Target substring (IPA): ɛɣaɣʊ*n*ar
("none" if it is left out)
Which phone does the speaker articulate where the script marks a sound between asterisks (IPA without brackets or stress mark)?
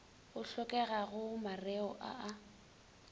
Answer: m